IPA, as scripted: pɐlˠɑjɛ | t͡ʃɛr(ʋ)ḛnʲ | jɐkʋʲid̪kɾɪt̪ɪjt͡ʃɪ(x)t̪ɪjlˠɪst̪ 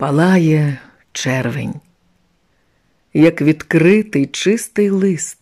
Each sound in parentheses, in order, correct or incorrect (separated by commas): correct, incorrect